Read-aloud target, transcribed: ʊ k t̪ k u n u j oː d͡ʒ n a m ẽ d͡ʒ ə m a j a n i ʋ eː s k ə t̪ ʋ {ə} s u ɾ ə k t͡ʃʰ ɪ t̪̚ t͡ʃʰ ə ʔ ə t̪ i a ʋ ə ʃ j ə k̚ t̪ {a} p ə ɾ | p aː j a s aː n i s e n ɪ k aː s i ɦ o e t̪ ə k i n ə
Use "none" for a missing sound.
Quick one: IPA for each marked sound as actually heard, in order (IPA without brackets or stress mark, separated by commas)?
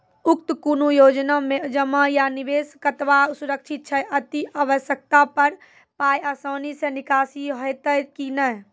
a, a